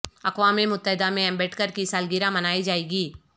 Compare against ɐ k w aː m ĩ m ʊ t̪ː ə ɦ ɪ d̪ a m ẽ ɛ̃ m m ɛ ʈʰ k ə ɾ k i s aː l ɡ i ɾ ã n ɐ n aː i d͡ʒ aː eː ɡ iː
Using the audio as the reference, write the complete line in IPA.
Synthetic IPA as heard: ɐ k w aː m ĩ m ʊ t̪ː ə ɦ ɪ d̪ a m ẽ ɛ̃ m b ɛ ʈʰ k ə ɾ k i s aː l ɡ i ɾ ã m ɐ n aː i d͡ʒ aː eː ɡ iː

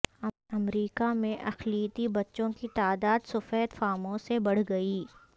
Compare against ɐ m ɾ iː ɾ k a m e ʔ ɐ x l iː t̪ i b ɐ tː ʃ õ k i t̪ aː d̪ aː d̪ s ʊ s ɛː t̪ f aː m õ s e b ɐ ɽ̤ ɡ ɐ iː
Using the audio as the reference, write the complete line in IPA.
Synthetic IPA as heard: ɐ m ɾ iː k a m ẽ ʔ ɐ x l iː t̪ i b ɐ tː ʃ õ k i t̪ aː d̪ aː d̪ s ʊ f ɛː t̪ f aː m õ s e b ɐ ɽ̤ ɡ ɐ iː

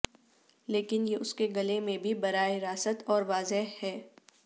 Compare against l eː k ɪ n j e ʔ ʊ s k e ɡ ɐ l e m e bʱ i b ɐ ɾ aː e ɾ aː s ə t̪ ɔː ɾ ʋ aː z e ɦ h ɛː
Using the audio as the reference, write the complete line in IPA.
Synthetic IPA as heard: l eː k ɪ n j e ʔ ʊ s k e ɡ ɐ l e m ẽ bʱ i b ɐ ɾ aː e ɾ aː s ə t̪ ɔː ɾ ʋ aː z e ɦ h ɛː

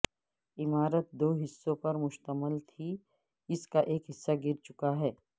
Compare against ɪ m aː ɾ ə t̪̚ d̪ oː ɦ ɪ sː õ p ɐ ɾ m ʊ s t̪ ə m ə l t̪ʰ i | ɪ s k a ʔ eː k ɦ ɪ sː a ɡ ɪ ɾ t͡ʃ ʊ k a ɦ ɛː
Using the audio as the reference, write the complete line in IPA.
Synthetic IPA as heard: ɪ m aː ɾ ə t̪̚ d̪ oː ɦ ɪ sː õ p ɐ ɾ m ʊ ʃ t̪ ə m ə l t̪ʰ i | ɪ s k a ʔ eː k ɦ ɪ sː a ɡ ɪ ɾ t͡ʃ ʊ k a ɦ ɛː

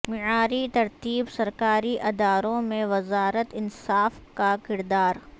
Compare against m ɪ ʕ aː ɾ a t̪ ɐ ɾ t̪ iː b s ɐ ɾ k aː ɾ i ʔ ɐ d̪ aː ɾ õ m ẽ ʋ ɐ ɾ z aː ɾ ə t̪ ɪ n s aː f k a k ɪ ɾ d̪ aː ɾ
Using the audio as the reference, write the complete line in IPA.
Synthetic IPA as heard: m ɪ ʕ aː ɾ i t̪ ɐ ɾ t̪ iː b s ɐ ɾ k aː ɾ i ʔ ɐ d̪ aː ɾ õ m ẽ ʋ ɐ z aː ɾ ə t̪ ɪ n s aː f k a k ɪ ɾ d̪ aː ɾ

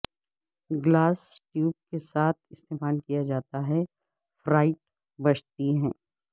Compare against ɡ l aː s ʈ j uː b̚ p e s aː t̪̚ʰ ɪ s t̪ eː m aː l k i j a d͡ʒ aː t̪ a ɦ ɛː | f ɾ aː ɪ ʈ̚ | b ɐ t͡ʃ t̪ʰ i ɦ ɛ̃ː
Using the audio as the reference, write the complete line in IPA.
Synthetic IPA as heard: ɡ l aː s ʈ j uː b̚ k e s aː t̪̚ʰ ɪ s t̪ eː m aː l k i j a d͡ʒ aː t̪ a ɦ ɛ | f ɾ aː ɪ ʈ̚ | b ɐ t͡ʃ t̪ i ɦ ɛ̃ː

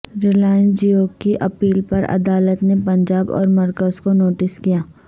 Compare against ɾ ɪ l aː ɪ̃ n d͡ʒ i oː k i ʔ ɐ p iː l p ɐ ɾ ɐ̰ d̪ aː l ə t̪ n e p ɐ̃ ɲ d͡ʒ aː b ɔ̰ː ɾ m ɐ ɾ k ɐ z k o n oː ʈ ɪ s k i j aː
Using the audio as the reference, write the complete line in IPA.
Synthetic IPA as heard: ɾ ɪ l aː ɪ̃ n d͡ʒ i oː k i ʔ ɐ p iː l p ɐ ɾ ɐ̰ d̪ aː l ə t̪ n e p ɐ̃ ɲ d͡ʒ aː b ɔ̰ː ɾ m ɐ ɾ k ə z k o n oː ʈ ɪ s k i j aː

